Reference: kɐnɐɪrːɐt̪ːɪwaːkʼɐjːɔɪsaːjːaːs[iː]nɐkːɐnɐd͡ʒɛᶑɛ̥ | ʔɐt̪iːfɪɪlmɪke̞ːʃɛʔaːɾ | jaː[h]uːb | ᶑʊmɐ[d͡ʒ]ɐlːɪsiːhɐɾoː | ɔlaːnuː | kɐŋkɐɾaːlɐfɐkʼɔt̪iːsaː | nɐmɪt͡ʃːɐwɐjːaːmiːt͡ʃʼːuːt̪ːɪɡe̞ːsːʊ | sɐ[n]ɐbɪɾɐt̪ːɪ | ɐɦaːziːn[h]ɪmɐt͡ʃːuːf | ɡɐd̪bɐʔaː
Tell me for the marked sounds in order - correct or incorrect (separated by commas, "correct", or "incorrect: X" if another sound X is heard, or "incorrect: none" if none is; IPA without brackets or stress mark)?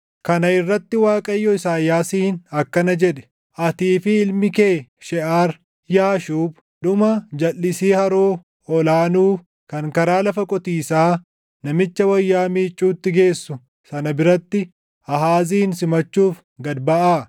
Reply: correct, incorrect: ʃ, correct, correct, incorrect: s